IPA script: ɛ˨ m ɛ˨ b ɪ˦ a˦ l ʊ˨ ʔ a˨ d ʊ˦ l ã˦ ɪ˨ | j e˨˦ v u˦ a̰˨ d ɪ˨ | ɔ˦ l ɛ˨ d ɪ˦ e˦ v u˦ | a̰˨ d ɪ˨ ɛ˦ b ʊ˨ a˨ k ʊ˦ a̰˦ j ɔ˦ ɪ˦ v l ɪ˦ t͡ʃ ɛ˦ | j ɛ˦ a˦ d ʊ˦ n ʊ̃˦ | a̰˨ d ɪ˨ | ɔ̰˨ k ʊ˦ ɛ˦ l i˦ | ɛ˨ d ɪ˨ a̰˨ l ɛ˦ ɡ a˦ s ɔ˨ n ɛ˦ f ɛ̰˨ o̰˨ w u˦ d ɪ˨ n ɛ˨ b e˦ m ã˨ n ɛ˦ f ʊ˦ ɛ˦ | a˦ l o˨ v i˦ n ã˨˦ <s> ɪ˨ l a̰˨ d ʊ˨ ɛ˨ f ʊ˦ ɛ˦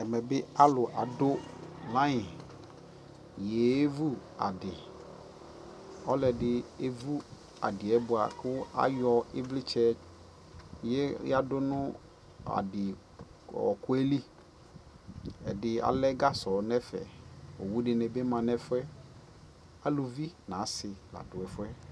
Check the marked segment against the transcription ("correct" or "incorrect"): correct